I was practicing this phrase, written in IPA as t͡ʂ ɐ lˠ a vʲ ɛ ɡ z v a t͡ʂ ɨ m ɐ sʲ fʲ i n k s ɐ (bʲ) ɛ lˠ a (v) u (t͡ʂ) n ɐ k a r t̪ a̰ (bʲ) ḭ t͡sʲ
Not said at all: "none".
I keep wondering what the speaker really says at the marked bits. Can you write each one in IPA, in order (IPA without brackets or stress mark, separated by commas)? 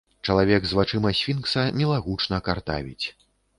mʲ, ɣ, t͡ʂ, vʲ